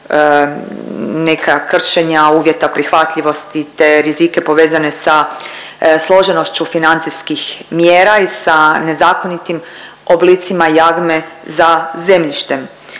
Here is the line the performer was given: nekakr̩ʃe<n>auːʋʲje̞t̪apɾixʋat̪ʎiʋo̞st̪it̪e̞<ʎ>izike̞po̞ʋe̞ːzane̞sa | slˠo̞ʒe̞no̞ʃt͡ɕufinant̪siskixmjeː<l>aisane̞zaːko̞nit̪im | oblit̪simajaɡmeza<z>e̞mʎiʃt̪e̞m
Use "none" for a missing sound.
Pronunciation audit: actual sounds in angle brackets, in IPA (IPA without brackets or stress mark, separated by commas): ɲ, ɾ, ɾ, z